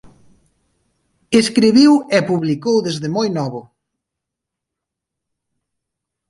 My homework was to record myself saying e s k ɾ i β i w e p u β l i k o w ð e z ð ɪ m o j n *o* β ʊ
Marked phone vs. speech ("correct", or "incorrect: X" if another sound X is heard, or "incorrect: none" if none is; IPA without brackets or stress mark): incorrect: ɔ